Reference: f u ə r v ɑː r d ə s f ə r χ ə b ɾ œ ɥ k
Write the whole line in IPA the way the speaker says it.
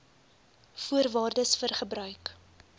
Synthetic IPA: f u ə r v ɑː r d ə s f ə r χ ə b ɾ œ ɥ k